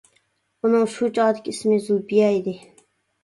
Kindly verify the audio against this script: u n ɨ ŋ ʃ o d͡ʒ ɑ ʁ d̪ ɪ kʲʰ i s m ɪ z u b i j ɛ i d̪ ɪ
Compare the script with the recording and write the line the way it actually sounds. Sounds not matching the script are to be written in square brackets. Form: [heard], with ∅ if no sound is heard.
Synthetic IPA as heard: u n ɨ ŋ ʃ [u] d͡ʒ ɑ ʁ d̪ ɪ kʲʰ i s m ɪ z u b i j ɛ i d̪ ɪ

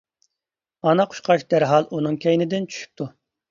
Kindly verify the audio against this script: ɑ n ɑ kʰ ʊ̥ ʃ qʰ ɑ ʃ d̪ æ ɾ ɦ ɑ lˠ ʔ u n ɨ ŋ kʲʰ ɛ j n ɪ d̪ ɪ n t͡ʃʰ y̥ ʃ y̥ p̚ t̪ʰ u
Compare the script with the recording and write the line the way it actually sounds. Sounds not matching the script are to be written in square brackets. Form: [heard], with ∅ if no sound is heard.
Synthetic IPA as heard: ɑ n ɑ [qʰ] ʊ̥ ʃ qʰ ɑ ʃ d̪ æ ɾ ɦ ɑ lˠ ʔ u n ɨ ŋ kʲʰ ɛ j n ɪ d̪ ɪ n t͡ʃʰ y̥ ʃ y̥ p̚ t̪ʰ u

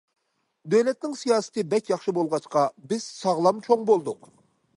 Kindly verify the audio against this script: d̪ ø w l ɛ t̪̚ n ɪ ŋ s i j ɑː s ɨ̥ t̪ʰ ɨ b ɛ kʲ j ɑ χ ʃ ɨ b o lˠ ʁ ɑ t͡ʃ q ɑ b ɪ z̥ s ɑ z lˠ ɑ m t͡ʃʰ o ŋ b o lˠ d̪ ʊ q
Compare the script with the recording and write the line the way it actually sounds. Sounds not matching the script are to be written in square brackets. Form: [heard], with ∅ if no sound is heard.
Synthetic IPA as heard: d̪ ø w l ɛ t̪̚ n ɪ ŋ s i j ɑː s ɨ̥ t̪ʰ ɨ b ɛ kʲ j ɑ χ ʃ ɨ b o lˠ ʁ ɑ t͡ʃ q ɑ b ɪ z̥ s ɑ [ʁ] lˠ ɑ m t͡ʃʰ o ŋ b o lˠ d̪ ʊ q

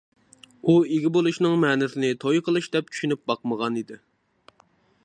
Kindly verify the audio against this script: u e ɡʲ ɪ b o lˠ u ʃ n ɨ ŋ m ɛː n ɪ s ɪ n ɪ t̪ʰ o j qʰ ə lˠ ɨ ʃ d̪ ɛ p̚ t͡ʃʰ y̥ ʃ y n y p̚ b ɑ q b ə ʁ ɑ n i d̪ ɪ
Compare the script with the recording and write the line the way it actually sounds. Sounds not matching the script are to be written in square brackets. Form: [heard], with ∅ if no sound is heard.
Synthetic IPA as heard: u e ɡʲ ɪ b o lˠ u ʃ n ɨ ŋ m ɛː n ɪ s ɪ n ɪ t̪ʰ o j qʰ ə lˠ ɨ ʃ d̪ ɛ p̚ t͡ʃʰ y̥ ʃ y n y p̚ b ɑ q [m] ə ʁ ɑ n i d̪ ɪ

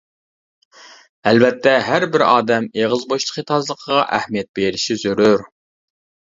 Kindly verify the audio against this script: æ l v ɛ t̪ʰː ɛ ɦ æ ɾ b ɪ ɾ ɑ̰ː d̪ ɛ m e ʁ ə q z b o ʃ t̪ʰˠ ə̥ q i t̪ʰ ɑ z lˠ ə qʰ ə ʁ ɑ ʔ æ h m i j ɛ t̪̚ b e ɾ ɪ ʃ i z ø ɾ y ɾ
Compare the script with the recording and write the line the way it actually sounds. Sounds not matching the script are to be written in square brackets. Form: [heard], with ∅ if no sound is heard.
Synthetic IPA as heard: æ l v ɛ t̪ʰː ɛ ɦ æ ɾ b ɪ ɾ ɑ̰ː d̪ ɛ m e ʁ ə [∅] z b o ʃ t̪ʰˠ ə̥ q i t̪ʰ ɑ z lˠ ə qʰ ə ʁ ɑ ʔ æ h m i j ɛ t̪̚ b e ɾ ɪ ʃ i z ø ɾ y ɾ

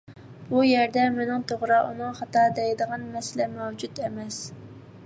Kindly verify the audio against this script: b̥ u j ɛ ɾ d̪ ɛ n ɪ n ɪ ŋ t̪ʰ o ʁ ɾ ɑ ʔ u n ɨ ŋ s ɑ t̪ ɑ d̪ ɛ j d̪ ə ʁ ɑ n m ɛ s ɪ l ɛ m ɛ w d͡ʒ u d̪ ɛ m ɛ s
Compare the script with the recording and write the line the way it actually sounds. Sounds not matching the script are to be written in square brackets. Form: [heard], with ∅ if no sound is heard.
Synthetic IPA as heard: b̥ u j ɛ ɾ d̪ ɛ [m] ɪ n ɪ ŋ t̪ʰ o ʁ ɾ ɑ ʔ u n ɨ ŋ [χ] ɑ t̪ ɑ d̪ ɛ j d̪ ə ʁ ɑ n m ɛ s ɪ l ɛ m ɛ w d͡ʒ u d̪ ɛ m ɛ s

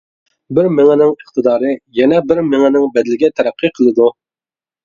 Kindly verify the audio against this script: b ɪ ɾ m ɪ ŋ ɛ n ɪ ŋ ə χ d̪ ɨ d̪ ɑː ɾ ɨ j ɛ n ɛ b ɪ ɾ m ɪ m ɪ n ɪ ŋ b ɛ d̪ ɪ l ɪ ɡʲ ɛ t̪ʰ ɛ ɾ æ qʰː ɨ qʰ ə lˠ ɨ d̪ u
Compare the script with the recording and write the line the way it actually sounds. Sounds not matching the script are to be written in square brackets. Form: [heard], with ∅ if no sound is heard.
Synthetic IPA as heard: b ɪ ɾ m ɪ ŋ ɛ n ɪ ŋ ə χ [t̪] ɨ d̪ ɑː ɾ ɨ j ɛ n ɛ b ɪ ɾ m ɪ [ŋ] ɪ n ɪ ŋ b ɛ d̪ ɪ l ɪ ɡʲ ɛ t̪ʰ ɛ ɾ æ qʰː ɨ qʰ ə lˠ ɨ d̪ u

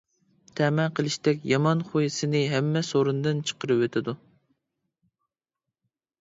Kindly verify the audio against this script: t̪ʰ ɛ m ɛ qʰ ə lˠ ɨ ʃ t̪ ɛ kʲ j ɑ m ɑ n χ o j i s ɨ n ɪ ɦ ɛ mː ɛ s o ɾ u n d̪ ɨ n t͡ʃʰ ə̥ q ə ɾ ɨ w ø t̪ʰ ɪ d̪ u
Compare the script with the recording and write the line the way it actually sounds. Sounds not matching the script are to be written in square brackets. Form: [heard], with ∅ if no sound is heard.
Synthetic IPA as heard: t̪ʰ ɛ m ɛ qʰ ə lˠ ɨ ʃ t̪ ɛ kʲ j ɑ m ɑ n χ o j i s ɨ n ɪ ɦ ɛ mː ɛ s o ɾ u n d̪ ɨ n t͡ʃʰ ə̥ q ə ɾ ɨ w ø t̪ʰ ɪ d̪ u

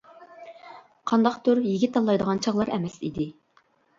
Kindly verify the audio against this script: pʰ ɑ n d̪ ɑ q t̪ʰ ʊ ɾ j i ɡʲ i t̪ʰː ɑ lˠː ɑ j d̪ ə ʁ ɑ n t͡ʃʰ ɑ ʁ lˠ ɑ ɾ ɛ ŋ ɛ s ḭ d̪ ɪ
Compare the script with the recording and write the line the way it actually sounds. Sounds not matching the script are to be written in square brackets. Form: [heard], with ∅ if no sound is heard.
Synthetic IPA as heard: [qʰ] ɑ n d̪ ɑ q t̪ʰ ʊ ɾ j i ɡʲ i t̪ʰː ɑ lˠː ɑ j d̪ ə ʁ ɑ n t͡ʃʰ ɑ ʁ lˠ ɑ ɾ ɛ [m] ɛ s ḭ d̪ ɪ

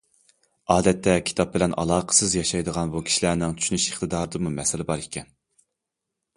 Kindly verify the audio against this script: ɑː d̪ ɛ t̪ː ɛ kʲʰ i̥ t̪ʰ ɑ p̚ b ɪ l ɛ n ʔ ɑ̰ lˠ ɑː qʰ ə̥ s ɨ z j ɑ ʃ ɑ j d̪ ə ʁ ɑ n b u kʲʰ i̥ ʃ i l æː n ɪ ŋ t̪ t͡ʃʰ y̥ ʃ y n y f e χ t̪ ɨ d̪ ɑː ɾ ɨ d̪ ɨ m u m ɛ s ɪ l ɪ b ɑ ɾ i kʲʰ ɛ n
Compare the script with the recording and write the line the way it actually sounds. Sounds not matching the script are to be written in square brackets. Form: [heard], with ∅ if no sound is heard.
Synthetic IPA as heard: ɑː d̪ ɛ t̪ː ɛ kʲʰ i̥ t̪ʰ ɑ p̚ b ɪ l ɛ n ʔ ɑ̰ lˠ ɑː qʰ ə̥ s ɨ z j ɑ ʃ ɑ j d̪ ə ʁ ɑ n b u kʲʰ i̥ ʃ i l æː n ɪ ŋ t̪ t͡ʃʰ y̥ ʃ y n y [ʃ] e χ t̪ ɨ d̪ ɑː ɾ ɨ d̪ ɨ m u m ɛ s ɪ l ɪ b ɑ ɾ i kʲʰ ɛ n

